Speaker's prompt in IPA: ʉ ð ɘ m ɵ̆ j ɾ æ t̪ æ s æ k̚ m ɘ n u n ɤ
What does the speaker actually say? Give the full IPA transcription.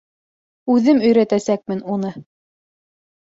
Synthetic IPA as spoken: ʉ ð ɘ m ɵ̆ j ɾ æ t̪ æ s æ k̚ m ɘ n u n ɤ